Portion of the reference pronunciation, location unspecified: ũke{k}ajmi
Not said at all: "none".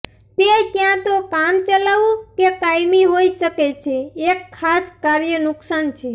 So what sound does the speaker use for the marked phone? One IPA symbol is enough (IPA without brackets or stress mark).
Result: k